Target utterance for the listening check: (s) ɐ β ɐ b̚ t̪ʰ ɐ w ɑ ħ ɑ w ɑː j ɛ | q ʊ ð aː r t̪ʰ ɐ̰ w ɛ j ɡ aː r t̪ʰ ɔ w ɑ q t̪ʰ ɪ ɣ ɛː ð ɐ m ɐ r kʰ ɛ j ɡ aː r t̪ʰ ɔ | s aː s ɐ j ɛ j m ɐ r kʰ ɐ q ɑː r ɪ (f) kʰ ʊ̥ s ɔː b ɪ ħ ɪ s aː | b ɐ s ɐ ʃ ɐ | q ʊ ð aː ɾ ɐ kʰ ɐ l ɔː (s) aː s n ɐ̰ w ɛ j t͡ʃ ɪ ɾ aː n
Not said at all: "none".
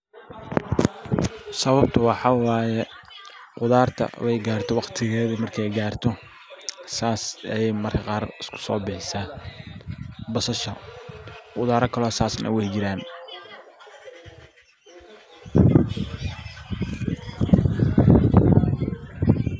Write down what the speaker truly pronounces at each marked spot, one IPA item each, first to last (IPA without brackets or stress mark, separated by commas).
s, s, s